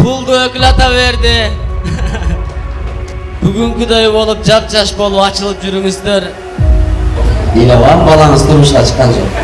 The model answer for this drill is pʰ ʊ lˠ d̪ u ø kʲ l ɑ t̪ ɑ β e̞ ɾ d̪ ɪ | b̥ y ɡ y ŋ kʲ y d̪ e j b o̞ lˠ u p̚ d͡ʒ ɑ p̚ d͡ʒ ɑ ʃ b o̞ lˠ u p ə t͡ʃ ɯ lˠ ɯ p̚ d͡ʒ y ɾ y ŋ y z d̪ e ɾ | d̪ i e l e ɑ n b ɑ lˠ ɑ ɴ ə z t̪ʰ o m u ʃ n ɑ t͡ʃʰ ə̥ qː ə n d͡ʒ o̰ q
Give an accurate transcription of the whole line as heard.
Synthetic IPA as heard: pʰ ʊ lˠ d̪ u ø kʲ l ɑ t̪ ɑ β e̞ ɾ d̪ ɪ | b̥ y ɡ y ŋ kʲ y d̪ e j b o̞ lˠ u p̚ d͡ʒ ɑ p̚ d͡ʒ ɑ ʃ b o̞ lˠ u p ɑ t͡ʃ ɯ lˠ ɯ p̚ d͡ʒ y ɾ y ŋ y z d̪ e ɾ | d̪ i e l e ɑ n b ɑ lˠ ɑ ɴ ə z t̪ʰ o m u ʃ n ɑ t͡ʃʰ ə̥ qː ɑ n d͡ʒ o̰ q